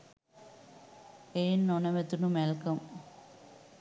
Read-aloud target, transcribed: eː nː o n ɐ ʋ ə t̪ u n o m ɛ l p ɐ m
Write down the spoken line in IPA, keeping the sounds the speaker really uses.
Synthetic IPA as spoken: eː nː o n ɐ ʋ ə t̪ u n u m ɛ l k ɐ m